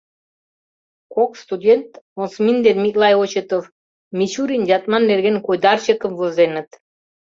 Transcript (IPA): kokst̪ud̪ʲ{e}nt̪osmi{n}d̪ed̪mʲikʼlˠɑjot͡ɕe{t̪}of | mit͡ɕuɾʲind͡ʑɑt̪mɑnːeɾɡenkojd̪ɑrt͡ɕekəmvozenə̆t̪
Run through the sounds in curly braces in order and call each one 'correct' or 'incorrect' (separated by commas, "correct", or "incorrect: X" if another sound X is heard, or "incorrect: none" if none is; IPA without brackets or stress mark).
correct, correct, correct